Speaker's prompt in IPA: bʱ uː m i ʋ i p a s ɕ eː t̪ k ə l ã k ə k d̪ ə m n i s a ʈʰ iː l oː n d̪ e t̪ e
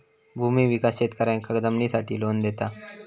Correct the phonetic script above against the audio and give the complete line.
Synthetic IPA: bʱ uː m i ʋ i k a s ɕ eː t̪ k ə ɾ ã k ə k d̪ ə m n i s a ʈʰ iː l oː n d̪ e t̪ a